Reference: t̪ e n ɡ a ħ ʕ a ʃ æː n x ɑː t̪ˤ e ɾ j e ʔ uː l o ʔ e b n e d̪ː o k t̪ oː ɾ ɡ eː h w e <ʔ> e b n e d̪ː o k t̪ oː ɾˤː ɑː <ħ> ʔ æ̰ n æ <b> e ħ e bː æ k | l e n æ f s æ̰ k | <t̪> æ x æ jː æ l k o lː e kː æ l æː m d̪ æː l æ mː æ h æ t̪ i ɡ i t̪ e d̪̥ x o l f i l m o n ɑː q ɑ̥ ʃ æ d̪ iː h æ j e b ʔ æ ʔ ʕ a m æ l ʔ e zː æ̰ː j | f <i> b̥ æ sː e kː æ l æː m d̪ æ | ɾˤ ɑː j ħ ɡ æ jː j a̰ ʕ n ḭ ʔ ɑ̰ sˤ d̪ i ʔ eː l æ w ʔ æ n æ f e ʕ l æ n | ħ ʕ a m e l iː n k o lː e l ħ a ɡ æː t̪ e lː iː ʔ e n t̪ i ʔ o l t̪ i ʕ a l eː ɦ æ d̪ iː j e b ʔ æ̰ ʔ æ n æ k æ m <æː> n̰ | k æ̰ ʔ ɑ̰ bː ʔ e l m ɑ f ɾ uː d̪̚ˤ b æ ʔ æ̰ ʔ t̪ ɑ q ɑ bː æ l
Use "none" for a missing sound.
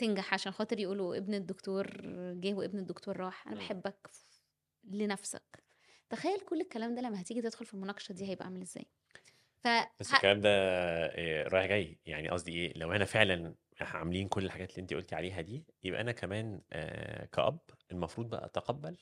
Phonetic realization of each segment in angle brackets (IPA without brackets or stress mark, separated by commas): ʔ, ħ, b, t̪, æ, æː